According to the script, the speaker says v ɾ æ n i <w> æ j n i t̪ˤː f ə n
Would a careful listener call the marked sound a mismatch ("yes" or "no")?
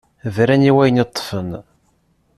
no